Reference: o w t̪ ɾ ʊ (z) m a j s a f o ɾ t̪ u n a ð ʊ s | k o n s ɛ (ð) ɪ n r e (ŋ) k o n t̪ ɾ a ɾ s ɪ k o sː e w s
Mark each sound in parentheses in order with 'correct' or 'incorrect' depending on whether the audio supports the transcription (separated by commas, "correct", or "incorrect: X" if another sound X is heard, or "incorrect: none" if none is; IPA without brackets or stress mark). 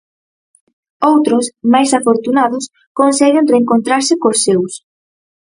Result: incorrect: s, incorrect: ɣ, correct